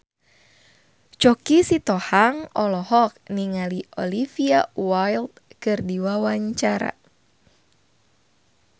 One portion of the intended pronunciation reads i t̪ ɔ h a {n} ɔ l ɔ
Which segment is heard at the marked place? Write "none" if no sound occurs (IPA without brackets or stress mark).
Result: ŋ